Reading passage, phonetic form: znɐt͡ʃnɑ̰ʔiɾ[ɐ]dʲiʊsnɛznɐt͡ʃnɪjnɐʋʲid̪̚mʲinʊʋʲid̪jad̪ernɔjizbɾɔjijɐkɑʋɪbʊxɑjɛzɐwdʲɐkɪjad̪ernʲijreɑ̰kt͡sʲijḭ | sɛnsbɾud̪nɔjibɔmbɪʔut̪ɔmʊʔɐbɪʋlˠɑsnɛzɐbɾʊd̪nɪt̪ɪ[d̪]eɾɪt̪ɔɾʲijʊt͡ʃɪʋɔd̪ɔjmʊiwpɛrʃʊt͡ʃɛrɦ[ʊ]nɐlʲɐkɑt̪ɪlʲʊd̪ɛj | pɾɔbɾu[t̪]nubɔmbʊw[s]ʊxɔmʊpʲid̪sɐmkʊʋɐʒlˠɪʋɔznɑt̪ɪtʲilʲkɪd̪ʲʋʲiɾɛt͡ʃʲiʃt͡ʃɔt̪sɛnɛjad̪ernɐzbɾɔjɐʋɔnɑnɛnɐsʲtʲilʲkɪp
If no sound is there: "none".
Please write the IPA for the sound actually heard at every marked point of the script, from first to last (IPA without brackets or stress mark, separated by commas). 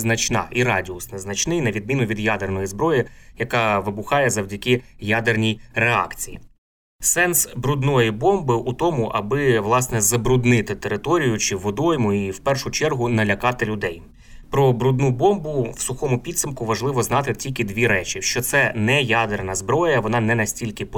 ɑ, t̪, ʊ, d̪, s